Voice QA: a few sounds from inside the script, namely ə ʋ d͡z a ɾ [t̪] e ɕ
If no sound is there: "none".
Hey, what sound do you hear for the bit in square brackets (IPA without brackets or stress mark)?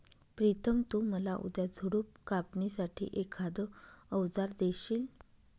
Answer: d̪